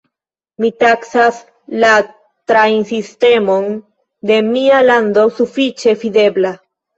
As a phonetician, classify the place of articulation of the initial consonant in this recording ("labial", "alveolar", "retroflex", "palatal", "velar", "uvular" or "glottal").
labial